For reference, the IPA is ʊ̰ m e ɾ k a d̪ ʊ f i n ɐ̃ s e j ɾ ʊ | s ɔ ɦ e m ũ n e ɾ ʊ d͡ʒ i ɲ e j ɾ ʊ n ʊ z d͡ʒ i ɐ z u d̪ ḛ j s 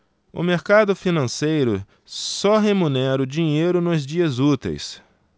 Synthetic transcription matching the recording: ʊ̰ m e ɾ k a d̪ ʊ f i n ɐ̃ s e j ɾ ʊ | s ɔ ɦ e m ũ n ɛ ɾ ʊ d͡ʒ i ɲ e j ɾ ʊ n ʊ z d͡ʒ i ɐ z u t̪ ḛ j s